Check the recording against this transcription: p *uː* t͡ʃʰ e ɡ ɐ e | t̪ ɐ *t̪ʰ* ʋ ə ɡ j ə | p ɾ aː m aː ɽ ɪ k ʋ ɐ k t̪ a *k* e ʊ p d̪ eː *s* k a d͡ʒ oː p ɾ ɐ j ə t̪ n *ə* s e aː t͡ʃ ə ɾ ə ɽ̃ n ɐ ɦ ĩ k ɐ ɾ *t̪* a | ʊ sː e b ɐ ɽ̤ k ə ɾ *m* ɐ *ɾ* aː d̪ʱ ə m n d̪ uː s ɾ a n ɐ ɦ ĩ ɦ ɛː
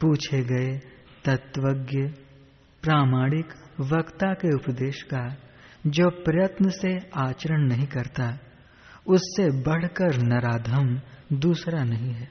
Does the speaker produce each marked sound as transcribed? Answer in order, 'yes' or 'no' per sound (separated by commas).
yes, no, yes, no, yes, yes, no, yes